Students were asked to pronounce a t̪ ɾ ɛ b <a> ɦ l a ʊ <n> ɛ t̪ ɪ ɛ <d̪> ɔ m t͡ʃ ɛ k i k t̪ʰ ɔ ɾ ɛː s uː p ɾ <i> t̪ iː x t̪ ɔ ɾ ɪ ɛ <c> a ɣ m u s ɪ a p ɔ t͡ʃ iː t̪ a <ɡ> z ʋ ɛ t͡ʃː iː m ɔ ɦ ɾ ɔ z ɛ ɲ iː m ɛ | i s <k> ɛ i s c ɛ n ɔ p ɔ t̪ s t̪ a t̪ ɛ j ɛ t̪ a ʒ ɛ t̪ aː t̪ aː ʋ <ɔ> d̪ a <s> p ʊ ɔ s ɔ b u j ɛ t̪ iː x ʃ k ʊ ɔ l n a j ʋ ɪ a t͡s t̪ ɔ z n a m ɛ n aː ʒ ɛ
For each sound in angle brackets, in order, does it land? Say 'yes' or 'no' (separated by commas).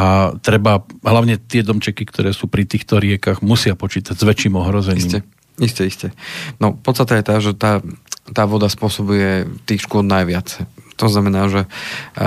yes, no, yes, yes, no, no, no, yes, yes